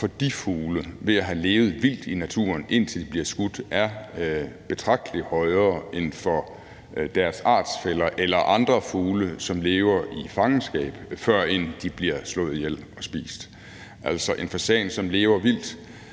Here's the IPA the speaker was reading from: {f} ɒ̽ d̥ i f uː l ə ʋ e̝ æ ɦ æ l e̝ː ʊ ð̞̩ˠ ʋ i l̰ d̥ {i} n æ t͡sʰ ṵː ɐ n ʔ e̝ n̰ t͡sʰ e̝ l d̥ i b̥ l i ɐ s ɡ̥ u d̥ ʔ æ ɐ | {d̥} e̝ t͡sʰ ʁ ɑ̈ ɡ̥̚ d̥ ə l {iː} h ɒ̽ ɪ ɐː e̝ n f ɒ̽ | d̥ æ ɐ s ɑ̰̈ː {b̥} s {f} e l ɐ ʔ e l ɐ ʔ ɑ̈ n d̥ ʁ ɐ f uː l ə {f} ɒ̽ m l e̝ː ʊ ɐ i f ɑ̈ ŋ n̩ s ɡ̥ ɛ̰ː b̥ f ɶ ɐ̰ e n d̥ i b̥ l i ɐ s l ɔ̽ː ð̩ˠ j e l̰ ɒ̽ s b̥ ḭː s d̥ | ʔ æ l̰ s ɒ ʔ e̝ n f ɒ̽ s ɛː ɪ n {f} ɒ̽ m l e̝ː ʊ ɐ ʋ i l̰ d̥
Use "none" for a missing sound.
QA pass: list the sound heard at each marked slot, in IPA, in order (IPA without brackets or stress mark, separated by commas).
f, i, b̥, i, d̥, f, s, s